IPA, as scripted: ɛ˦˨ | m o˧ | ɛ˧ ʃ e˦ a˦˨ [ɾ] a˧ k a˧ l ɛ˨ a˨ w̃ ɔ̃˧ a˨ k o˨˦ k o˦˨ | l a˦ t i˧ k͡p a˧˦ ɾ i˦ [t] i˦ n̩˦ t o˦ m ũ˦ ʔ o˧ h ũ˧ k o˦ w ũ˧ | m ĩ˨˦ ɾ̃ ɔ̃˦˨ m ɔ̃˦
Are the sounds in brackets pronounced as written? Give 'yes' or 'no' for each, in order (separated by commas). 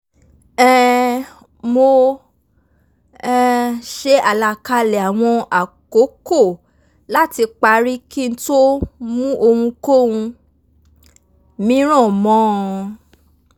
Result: no, no